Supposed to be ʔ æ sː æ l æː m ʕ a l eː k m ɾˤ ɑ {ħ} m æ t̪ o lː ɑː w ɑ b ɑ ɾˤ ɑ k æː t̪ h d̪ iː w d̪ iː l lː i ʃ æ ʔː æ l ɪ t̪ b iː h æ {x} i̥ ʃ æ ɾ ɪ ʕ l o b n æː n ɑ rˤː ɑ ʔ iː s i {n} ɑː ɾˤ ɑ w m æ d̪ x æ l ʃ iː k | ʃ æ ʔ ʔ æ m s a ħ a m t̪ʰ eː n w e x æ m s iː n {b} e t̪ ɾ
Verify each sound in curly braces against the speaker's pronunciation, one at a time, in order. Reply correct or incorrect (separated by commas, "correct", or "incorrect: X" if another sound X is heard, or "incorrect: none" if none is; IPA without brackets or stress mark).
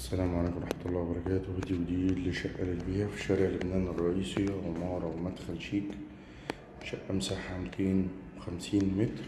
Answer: correct, incorrect: f, incorrect: m, incorrect: m